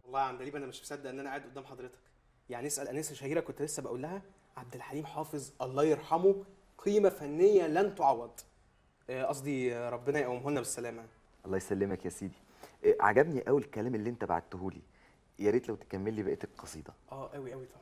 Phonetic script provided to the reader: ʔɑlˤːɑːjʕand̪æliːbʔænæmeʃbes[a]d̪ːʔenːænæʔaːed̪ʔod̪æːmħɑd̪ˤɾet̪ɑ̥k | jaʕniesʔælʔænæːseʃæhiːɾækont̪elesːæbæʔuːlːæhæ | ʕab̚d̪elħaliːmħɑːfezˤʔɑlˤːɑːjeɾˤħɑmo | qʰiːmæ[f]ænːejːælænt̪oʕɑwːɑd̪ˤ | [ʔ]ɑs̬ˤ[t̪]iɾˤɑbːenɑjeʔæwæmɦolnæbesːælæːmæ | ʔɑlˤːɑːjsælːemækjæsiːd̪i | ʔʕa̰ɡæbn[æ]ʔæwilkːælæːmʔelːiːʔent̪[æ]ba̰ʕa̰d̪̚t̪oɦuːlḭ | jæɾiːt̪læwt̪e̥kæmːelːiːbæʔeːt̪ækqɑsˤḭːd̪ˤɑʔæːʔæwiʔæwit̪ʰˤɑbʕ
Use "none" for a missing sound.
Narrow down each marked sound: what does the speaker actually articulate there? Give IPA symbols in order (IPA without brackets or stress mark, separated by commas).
æ, f, ʔ, d̪, i, æ